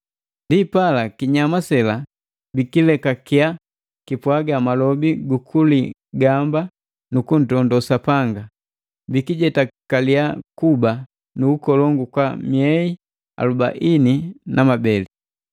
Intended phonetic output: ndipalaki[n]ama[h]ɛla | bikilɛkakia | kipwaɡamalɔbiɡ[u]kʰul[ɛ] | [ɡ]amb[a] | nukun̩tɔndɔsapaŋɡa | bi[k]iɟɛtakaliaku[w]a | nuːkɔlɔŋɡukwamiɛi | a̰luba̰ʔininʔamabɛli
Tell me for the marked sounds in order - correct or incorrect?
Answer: incorrect, incorrect, correct, incorrect, correct, correct, correct, incorrect

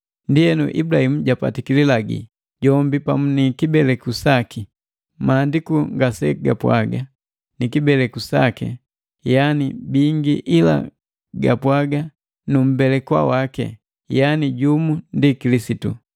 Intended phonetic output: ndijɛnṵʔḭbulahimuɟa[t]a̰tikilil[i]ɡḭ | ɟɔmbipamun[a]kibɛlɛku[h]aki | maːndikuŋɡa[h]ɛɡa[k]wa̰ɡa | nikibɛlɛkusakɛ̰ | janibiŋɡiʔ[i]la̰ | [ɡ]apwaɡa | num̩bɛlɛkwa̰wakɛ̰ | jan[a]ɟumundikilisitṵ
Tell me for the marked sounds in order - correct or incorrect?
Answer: incorrect, incorrect, incorrect, incorrect, incorrect, incorrect, correct, correct, incorrect

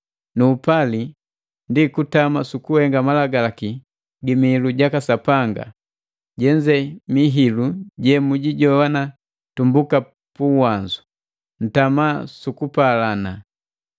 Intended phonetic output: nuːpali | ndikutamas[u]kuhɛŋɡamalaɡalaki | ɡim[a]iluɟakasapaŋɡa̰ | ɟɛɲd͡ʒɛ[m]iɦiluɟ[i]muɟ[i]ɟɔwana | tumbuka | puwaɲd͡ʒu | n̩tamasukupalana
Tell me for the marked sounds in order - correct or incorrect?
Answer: correct, incorrect, correct, incorrect, correct

